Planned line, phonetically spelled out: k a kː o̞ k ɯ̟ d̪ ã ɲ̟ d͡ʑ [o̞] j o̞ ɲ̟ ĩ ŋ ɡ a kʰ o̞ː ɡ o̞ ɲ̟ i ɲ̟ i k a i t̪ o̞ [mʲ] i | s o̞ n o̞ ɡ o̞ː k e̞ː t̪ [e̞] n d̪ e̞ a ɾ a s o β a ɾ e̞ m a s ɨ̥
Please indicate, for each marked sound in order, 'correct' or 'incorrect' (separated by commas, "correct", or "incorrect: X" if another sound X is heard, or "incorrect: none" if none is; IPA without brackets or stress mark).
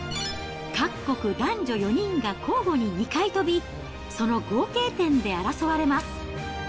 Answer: correct, incorrect: bʲ, incorrect: ẽ̞